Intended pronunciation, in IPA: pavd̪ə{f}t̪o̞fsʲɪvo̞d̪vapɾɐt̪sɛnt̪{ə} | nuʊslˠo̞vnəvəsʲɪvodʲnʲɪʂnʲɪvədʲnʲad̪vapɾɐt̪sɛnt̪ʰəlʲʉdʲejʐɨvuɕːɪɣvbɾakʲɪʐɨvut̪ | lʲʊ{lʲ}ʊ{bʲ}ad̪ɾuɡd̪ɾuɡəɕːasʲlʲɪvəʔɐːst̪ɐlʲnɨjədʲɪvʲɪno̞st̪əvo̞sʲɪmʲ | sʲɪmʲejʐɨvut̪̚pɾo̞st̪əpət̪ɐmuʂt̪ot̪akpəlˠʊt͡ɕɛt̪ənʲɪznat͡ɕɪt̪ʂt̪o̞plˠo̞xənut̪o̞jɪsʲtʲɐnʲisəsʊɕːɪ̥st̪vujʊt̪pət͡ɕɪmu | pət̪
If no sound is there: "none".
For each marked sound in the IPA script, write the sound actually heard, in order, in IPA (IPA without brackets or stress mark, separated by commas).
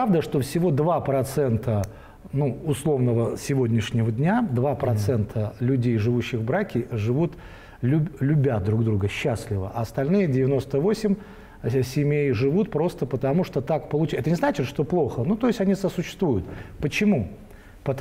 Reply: ʂ, ə, lʲ, bʲ